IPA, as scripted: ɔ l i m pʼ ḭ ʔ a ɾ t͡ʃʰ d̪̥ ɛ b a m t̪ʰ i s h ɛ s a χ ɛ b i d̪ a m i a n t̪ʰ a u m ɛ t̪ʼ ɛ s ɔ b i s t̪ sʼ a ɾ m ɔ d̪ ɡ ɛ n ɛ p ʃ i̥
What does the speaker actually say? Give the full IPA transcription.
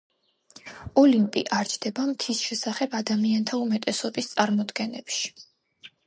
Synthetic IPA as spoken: ɔ l i m pʼ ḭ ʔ a ɾ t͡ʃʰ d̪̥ ɛ b a m t̪ʰ i s ʃ ɛ s a χ ɛ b a d̪ a m i a n t̪ʰ a u m ɛ t̪ʼ ɛ s ɔ b i s t̪ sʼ a ɾ m ɔ d̪ ɡ ɛ n ɛ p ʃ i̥